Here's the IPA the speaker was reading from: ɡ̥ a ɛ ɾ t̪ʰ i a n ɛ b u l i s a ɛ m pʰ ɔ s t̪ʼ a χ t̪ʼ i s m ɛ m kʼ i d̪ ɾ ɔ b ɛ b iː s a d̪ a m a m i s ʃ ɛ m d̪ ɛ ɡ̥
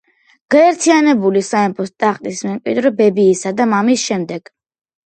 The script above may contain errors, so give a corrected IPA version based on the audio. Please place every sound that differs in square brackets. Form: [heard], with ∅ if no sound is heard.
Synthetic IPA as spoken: ɡ̥ a ɛ ɾ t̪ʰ i a n ɛ b u l i s a ɛ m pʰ ɔ s t̪ʼ a χ t̪ʼ i s m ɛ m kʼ i d̪ ɾ ɔ b ɛ b iː s a d̪ a m a m i s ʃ ɛ m d̪ ɛ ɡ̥